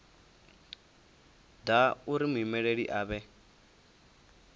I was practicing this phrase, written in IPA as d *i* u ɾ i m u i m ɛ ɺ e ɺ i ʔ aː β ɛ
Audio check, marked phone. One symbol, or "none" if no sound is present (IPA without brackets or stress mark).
a